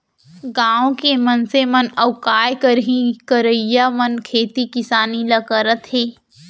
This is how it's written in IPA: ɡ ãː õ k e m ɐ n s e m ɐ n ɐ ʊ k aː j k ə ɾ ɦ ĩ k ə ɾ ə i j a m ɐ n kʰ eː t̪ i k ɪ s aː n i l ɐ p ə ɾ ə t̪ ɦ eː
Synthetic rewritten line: ɡ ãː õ k e m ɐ n s e m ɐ n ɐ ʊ k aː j k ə ɾ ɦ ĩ k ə ɾ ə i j a m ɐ n kʰ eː t̪ i k ɪ s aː n i l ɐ k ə ɾ ə t̪ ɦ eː